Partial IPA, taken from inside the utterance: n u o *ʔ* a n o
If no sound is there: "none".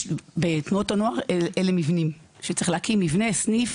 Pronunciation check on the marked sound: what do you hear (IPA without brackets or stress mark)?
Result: t